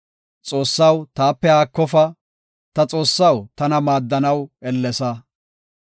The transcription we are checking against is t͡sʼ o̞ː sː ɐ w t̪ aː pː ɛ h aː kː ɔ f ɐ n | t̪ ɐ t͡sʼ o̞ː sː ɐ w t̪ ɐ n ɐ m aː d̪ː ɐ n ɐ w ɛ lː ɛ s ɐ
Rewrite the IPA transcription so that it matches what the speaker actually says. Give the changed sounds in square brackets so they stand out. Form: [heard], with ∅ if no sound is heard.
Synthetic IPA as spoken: t͡sʼ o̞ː sː ɐ w t̪ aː pː ɛ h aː kː ɔ f ɐ [∅] | t̪ ɐ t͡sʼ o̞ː sː ɐ w t̪ ɐ n ɐ m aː d̪ː ɐ n ɐ w ɛ lː ɛ s ɐ